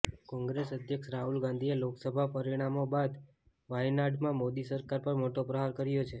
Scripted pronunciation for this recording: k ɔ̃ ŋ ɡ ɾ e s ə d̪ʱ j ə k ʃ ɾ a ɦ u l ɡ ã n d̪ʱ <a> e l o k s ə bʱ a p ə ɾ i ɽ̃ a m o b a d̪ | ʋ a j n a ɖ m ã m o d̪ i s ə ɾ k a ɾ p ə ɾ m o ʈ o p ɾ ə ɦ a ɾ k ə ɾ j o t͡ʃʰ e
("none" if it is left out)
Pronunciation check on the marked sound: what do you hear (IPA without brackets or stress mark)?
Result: i